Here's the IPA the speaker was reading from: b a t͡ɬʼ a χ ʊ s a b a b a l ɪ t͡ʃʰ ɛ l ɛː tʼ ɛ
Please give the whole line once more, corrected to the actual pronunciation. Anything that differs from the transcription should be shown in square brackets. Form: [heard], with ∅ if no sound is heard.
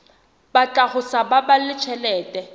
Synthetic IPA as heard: b a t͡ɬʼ a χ ʊ s a b a b a l ɪ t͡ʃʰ ɛ l ɛː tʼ ɛ